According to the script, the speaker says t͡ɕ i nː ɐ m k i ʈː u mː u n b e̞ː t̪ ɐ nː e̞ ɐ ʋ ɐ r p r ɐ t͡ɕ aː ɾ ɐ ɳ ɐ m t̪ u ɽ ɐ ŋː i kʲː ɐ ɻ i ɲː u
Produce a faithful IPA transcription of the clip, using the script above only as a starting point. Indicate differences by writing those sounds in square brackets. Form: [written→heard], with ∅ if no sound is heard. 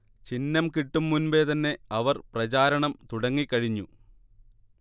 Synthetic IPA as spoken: t͡ɕ i nː ɐ m k i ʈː u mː u n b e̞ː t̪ ɐ nː e̞ ɐ ʋ ɐ r p r ɐ t͡ɕ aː ɾ ɐ ɳ ɐ m t̪ u ɽ ɐ ŋː i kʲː ɐ ɻ i ɲː u